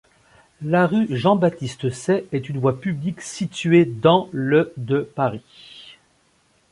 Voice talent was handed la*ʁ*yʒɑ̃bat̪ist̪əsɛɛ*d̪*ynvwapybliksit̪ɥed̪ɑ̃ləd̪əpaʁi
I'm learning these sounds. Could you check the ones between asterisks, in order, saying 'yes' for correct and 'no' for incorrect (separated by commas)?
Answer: yes, no